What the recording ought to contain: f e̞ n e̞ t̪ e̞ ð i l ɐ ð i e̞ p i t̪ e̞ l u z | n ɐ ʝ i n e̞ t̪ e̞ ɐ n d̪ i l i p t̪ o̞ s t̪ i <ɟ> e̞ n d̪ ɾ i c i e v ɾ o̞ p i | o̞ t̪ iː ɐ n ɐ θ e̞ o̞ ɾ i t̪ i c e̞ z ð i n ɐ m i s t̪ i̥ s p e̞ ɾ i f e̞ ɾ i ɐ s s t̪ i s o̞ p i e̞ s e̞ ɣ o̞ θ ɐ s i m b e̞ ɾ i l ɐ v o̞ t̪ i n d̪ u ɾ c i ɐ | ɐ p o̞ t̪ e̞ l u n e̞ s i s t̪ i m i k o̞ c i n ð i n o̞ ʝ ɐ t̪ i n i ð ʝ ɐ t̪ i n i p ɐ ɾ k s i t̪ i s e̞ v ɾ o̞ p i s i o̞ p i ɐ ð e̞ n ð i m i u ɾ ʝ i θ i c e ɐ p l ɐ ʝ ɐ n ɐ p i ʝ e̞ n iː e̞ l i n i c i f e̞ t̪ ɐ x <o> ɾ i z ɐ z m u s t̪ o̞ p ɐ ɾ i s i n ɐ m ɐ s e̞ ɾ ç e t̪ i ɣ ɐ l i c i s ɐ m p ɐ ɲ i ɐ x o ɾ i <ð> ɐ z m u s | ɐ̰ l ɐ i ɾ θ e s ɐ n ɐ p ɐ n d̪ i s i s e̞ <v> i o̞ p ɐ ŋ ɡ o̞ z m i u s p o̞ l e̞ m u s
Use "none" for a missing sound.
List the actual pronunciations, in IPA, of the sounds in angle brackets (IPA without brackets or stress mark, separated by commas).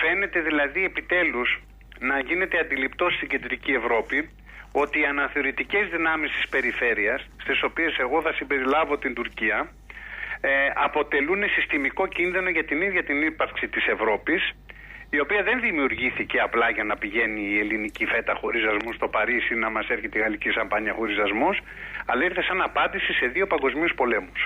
ɟ, o, z, ð